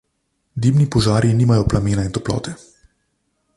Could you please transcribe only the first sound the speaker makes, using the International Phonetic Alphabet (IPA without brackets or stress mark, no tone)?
d̪